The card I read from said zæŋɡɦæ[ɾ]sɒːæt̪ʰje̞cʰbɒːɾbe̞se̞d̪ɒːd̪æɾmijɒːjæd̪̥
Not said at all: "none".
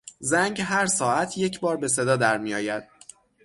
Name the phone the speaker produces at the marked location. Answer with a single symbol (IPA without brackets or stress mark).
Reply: ɾ